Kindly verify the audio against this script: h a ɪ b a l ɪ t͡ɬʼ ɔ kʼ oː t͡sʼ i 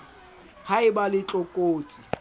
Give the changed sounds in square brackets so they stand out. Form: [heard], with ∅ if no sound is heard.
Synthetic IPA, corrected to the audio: h a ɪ b a l ɪ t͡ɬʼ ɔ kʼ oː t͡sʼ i